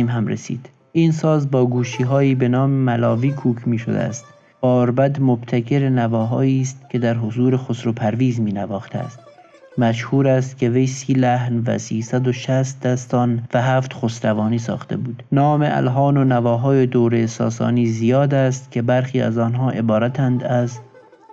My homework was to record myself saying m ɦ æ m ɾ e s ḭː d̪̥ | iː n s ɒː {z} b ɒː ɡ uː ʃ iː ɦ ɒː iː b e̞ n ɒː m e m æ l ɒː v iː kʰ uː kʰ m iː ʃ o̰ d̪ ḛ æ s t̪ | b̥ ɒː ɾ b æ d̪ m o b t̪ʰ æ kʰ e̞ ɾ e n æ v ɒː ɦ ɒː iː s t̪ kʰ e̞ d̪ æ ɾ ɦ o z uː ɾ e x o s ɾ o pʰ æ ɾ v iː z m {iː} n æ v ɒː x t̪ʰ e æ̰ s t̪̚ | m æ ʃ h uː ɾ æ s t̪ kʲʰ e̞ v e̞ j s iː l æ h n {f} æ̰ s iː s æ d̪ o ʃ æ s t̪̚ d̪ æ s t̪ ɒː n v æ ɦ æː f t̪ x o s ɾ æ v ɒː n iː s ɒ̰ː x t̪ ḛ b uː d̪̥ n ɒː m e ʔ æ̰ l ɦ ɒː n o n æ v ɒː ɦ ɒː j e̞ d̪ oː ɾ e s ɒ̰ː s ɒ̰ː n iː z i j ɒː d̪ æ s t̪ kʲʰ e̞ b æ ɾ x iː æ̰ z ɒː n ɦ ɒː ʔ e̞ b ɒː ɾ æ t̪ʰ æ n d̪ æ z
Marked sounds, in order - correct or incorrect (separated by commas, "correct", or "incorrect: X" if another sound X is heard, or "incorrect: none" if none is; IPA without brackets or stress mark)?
correct, correct, incorrect: v